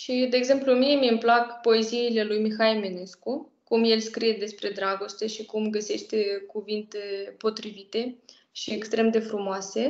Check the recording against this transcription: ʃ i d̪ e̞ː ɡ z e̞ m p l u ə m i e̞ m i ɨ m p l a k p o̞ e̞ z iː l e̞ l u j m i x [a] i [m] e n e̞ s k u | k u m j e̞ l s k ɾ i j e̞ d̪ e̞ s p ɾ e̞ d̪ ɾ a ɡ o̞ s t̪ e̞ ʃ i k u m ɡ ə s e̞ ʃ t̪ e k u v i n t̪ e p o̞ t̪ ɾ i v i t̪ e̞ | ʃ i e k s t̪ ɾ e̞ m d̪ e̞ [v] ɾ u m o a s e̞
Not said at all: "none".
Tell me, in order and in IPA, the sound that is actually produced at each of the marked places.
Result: a, m, f

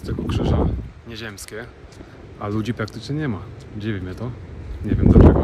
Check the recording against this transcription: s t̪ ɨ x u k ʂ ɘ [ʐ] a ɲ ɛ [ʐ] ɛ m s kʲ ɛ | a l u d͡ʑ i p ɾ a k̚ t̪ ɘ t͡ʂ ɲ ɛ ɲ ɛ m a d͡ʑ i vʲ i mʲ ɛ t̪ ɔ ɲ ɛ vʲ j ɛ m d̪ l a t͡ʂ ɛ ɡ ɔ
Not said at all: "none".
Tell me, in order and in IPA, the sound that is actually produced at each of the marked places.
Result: ʐ, ʑ

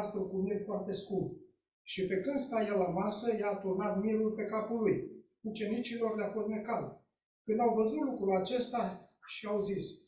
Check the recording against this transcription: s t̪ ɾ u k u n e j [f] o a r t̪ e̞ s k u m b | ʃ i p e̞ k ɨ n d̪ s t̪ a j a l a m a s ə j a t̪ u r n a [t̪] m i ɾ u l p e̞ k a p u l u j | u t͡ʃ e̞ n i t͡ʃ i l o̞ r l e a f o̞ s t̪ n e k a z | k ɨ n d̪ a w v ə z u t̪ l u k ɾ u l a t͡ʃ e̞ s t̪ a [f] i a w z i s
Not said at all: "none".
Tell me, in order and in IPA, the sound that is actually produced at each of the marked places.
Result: f, t̪, ʃ

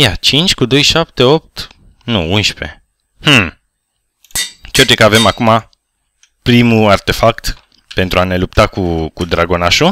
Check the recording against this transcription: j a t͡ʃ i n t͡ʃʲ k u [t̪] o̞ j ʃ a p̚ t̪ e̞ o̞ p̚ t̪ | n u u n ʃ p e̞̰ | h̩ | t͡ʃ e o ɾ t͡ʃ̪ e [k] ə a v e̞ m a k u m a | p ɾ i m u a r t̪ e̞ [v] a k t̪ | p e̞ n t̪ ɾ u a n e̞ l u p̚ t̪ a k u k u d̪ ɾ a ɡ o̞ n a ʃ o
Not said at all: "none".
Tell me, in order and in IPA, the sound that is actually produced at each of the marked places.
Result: d̪, k, f

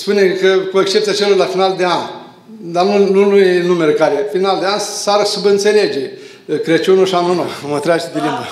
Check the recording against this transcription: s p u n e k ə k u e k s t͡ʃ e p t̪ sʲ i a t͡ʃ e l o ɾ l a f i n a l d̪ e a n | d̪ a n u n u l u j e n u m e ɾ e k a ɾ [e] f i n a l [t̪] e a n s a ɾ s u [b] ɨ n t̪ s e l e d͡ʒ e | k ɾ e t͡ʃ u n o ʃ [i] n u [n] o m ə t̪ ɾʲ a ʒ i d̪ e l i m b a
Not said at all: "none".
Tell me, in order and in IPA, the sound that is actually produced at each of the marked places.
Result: e, d̪, b, a, n

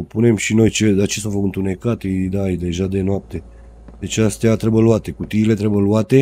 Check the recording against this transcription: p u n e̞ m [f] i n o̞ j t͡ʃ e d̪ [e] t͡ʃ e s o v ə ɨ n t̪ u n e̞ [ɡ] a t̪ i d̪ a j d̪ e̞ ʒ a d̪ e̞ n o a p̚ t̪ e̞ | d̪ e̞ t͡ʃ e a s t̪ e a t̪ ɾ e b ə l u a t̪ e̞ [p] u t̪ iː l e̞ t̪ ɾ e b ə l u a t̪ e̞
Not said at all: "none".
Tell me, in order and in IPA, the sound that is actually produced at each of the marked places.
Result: ʃ, a, k, k

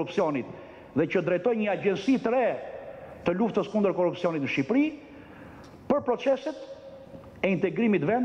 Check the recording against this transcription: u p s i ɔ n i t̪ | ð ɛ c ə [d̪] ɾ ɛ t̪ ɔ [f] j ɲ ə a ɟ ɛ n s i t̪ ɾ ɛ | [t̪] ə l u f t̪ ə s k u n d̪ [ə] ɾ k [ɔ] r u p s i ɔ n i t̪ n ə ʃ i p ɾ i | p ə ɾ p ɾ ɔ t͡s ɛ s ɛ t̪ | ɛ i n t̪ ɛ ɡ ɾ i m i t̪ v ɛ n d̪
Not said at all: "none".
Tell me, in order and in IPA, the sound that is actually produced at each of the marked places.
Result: d̪, none, t̪, ə, ɔ

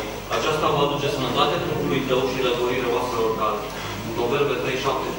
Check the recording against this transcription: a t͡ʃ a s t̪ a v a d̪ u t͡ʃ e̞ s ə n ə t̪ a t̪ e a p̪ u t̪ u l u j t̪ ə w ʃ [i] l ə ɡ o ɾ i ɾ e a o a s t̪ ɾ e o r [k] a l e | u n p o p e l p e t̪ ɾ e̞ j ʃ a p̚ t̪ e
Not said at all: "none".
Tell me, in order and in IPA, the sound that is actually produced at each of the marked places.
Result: i, k

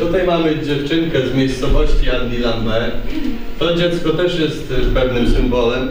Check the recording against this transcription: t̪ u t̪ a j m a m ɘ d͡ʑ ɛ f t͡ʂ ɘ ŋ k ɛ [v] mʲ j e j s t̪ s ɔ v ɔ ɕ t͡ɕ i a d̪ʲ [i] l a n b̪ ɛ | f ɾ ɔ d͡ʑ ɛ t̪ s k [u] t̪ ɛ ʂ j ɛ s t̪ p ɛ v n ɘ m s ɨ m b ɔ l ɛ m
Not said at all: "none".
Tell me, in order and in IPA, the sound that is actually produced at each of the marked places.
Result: z, i, ɔ

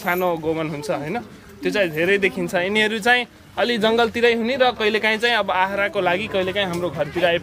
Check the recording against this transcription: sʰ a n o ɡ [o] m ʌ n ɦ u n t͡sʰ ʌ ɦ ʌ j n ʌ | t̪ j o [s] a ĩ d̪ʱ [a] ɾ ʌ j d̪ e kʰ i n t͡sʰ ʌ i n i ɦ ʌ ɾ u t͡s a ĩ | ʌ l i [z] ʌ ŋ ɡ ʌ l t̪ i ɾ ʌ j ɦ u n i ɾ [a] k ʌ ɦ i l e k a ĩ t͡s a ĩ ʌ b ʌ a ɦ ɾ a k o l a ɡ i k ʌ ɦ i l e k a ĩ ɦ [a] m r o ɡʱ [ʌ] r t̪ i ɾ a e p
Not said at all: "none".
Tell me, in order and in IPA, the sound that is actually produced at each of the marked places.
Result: o, t͡s, e, d͡z, ʌ, a, ʌ

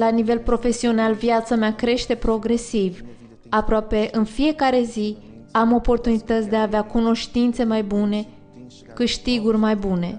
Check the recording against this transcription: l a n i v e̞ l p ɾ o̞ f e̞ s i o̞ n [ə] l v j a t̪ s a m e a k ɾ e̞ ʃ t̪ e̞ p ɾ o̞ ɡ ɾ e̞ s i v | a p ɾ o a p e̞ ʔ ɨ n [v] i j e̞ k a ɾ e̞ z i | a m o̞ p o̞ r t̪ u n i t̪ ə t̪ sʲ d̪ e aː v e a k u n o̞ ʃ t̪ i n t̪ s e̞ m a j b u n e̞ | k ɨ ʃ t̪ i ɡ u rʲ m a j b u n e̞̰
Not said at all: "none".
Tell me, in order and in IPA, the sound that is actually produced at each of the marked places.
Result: a, f

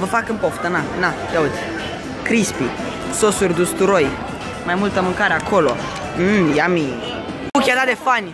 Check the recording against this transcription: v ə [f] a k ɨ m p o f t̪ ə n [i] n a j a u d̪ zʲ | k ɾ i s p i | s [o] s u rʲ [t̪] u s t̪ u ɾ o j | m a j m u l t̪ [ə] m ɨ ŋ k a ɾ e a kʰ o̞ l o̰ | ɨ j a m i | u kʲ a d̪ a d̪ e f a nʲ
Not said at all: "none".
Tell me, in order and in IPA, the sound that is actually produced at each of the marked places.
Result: f, a, o, d̪, ə

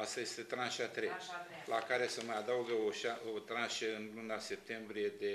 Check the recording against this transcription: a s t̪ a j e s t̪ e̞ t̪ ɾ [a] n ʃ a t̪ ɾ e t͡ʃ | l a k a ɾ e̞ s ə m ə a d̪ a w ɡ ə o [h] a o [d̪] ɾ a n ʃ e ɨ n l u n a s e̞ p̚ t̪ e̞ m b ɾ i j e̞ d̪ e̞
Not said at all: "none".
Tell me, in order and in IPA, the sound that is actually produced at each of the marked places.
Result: a, ʃ, t̪

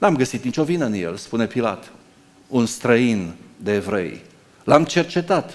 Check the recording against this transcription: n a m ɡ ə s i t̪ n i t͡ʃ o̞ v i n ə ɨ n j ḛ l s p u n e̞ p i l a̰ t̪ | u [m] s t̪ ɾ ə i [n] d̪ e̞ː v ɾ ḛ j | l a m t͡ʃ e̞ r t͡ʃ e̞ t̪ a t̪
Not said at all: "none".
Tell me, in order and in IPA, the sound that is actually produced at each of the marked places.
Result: n, n

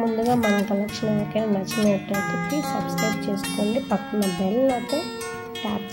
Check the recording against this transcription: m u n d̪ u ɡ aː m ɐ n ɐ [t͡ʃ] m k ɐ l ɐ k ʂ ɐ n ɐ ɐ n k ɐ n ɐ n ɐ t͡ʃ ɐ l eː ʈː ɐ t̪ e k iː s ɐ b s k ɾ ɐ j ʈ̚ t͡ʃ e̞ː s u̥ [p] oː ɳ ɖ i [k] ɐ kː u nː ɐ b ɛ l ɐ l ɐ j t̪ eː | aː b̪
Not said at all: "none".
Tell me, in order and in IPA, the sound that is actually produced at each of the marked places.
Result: none, k, p

